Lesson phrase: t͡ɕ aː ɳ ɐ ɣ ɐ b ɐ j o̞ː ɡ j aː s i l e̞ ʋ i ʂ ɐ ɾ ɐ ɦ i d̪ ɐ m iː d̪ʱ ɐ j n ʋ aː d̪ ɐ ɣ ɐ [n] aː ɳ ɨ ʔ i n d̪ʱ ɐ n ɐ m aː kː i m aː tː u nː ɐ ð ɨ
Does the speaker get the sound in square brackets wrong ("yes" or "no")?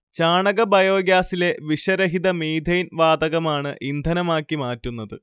yes